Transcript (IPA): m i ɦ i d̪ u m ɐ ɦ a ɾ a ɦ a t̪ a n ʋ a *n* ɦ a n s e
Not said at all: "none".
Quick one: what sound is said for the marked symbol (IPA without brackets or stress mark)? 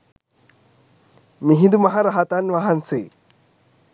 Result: none